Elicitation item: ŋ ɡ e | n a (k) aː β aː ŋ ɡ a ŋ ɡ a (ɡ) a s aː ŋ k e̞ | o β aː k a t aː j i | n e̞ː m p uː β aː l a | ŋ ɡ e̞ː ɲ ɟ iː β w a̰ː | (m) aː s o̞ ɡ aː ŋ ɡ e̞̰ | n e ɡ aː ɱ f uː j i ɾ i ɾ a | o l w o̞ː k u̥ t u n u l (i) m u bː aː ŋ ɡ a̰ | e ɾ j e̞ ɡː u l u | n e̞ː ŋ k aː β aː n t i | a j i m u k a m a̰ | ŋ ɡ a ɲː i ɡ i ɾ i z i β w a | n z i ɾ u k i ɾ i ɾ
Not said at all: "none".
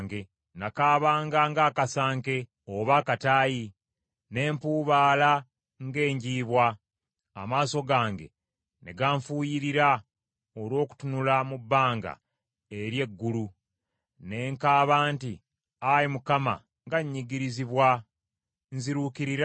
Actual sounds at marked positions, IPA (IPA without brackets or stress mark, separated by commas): k, k, m, a